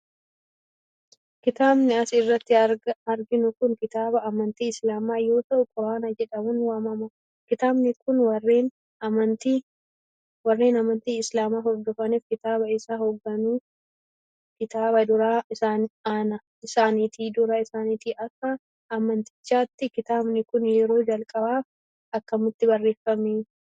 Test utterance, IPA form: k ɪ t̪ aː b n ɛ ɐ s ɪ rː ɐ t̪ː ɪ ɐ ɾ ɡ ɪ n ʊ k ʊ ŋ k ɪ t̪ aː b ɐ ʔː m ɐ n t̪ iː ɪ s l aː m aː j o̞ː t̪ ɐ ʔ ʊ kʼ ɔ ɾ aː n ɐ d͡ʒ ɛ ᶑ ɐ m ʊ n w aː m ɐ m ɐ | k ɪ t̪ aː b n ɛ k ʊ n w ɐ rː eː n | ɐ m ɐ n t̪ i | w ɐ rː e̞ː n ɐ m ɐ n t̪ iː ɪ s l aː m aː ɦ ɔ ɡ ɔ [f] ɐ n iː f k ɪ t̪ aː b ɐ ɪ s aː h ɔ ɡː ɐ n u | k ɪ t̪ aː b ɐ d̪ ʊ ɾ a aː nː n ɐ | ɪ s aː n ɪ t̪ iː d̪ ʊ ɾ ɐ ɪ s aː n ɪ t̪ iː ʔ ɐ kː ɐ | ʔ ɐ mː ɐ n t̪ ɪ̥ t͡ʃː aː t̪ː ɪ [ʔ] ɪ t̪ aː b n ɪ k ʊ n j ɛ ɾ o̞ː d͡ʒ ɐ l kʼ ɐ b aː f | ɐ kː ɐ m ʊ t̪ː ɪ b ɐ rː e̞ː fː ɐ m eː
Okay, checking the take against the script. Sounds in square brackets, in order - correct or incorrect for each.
correct, incorrect: k

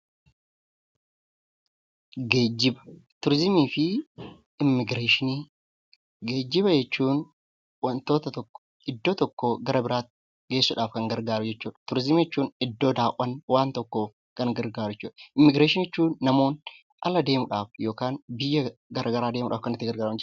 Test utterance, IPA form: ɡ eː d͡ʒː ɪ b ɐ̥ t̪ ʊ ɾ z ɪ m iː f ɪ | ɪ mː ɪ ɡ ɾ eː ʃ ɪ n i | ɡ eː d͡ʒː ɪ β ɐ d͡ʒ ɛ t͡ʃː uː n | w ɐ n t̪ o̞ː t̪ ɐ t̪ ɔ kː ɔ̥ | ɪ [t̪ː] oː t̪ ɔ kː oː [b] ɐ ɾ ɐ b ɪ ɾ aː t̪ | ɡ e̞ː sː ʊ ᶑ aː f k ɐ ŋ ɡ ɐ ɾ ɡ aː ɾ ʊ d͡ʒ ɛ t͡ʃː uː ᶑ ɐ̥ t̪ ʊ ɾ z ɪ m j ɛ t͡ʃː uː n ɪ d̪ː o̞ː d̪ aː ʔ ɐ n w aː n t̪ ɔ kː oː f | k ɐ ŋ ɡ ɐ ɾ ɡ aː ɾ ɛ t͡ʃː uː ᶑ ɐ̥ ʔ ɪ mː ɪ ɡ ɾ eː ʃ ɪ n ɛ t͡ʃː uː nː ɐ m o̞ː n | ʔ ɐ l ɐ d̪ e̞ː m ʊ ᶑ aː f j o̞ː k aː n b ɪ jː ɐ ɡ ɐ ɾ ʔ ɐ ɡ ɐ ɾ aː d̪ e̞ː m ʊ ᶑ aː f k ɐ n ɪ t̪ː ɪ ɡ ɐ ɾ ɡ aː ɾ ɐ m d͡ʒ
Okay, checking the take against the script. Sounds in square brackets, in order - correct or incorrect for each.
incorrect: d̪ː, incorrect: ɡ

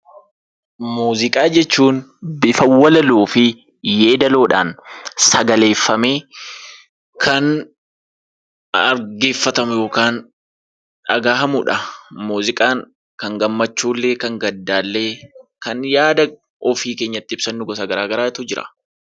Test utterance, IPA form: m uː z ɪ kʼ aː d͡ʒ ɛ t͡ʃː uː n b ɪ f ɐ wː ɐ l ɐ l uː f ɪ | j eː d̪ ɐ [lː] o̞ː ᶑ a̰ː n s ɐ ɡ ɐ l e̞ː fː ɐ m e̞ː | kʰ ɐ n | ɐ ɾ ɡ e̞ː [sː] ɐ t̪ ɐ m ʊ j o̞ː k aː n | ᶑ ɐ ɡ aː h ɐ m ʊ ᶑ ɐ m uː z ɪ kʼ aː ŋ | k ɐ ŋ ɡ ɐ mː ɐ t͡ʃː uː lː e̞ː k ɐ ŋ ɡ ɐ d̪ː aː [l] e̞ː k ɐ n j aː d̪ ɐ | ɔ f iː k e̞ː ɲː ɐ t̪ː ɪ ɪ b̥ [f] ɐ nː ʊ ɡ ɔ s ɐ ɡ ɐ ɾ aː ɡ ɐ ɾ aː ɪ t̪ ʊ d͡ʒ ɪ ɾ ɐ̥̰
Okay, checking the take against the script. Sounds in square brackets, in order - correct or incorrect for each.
incorrect: l, incorrect: fː, incorrect: lː, incorrect: s

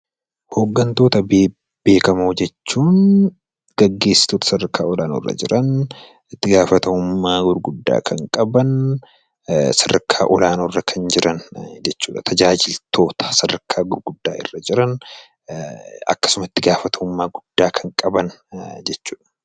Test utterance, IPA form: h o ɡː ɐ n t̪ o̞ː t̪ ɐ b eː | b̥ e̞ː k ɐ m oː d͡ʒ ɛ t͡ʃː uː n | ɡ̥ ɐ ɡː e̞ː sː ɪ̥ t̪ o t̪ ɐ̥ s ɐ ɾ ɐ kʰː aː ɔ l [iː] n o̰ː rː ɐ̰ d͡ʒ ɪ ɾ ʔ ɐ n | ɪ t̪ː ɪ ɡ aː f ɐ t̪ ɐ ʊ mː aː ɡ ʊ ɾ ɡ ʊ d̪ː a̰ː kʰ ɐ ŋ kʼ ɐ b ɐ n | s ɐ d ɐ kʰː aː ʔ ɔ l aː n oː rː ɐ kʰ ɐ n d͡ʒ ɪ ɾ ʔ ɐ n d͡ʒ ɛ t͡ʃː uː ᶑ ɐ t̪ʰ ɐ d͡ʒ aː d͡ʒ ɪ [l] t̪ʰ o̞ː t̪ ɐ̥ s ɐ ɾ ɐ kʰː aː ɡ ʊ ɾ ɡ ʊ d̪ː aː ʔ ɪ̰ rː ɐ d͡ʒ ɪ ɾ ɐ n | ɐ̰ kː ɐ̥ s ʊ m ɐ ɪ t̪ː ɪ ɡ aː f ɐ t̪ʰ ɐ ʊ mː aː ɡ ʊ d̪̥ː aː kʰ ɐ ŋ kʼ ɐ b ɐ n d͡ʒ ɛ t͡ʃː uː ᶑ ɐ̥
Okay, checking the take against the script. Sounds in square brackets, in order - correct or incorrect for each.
incorrect: aː, correct

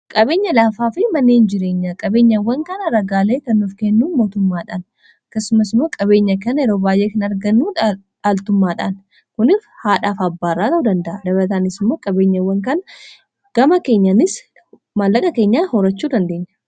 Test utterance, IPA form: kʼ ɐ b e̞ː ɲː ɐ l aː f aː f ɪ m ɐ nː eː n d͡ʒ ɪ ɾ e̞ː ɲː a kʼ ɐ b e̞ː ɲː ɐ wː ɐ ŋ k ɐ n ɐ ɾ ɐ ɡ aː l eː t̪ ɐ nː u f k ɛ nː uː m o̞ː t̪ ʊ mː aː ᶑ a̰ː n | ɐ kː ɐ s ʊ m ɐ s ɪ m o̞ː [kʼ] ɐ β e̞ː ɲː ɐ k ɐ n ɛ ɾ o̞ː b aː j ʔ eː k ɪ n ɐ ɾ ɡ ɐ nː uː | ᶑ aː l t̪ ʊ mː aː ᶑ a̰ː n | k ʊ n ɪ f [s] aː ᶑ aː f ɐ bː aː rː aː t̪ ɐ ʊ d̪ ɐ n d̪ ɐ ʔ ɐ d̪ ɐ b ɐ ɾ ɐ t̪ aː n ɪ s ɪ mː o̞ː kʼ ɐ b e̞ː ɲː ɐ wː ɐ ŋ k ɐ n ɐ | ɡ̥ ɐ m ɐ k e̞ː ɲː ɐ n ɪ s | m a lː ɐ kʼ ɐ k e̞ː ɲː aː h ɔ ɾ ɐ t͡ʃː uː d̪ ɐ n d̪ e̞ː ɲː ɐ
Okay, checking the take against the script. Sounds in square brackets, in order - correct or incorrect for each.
correct, incorrect: h

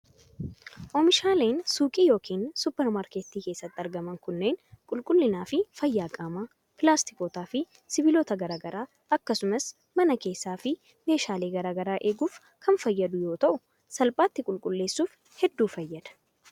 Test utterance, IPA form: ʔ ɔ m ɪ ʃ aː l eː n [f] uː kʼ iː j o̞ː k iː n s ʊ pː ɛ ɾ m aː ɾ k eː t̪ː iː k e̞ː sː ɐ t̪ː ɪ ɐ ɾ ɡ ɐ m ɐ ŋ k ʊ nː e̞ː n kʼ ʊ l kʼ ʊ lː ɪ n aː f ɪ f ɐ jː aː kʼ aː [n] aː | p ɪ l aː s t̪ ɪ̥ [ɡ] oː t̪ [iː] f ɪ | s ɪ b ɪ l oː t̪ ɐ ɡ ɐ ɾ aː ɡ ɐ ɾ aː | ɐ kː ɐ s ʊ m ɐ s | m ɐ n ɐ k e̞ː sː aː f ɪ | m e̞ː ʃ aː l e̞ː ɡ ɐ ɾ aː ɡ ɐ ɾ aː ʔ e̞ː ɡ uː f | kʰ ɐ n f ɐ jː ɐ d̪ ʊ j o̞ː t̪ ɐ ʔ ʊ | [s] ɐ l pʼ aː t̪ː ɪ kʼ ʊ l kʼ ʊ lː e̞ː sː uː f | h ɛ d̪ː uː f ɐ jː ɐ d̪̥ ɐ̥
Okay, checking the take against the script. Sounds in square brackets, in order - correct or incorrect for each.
incorrect: s, incorrect: m, incorrect: k, incorrect: aː, correct

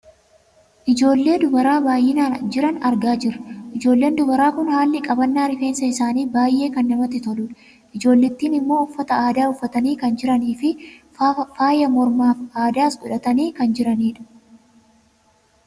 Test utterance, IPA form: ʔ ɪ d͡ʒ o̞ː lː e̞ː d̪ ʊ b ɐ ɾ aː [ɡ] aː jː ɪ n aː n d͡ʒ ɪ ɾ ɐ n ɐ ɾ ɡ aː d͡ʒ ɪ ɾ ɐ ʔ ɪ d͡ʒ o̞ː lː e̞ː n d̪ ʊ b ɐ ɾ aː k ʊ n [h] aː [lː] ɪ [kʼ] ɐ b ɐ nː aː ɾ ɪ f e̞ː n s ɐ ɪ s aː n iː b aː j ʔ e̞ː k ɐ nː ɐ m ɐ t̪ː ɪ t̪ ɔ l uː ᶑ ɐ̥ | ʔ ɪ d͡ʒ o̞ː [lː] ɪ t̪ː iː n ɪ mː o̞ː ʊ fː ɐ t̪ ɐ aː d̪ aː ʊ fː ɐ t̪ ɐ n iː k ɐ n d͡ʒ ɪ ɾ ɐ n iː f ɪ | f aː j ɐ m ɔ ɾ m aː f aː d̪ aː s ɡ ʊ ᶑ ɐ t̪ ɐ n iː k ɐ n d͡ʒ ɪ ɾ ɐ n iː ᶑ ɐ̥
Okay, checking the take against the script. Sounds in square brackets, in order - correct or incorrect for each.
incorrect: b, correct, correct, correct, correct

